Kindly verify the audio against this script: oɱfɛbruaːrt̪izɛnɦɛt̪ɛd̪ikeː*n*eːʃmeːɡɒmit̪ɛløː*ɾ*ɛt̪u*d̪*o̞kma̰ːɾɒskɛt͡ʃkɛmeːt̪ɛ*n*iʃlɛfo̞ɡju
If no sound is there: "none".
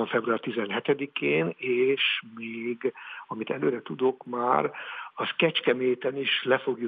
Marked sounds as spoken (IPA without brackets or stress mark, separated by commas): n, ɾ, d̪, n